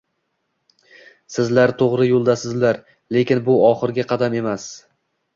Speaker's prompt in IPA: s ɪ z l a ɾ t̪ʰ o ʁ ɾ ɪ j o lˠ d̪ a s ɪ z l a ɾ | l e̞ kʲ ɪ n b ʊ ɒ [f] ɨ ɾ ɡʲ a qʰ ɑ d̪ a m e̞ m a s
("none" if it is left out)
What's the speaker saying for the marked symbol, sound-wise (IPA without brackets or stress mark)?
χ